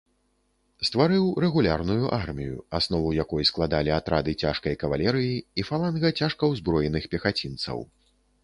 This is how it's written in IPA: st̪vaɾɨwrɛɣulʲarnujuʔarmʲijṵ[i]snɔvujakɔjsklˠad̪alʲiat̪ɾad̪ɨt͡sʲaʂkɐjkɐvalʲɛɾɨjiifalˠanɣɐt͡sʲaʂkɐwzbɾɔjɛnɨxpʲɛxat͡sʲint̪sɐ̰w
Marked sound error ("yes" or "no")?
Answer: yes